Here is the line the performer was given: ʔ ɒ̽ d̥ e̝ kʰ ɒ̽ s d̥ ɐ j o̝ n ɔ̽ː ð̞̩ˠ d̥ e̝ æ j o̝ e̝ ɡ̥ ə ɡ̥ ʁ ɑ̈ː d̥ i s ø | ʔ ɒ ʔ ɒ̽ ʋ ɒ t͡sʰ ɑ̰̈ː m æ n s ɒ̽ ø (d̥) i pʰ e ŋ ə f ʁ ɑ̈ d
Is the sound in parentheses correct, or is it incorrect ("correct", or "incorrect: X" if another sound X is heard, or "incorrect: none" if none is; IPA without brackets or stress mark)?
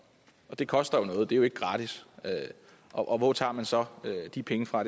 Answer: correct